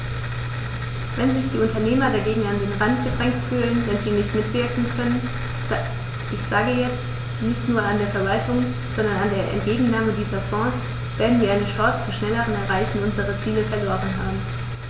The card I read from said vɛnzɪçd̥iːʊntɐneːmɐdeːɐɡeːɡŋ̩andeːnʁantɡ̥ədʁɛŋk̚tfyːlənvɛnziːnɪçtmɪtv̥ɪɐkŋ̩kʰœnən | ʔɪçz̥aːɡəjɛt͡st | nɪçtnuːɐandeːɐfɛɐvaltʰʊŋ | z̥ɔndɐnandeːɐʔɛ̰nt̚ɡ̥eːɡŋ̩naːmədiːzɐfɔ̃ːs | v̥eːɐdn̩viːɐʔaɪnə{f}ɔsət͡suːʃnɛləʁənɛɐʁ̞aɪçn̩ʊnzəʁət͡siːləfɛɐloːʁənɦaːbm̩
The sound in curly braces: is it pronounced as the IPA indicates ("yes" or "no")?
no